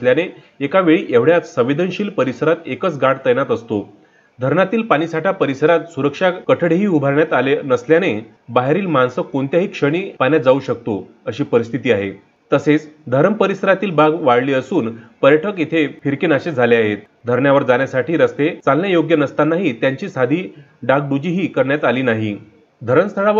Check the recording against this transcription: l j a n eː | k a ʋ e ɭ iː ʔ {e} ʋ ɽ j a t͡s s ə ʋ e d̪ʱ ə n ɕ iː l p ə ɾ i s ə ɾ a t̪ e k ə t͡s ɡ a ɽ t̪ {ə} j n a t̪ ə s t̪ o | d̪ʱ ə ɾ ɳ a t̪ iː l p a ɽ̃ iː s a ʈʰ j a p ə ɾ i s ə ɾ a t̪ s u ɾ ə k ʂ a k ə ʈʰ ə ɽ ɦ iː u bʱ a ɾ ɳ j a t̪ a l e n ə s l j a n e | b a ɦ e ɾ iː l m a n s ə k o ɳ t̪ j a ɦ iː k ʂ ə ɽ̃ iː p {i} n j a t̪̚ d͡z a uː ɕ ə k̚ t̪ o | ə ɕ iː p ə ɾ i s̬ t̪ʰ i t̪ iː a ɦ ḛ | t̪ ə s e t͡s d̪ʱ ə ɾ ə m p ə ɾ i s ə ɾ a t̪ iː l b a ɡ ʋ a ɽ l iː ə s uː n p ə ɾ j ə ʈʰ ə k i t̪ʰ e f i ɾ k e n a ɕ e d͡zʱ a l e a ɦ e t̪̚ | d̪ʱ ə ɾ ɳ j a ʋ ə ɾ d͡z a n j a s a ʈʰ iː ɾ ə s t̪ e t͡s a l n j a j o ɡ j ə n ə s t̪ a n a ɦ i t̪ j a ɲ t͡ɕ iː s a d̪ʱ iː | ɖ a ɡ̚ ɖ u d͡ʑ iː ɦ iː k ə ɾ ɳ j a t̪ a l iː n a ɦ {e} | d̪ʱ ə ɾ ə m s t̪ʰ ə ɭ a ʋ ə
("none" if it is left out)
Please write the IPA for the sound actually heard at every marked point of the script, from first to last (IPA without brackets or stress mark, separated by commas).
e, ə, a, i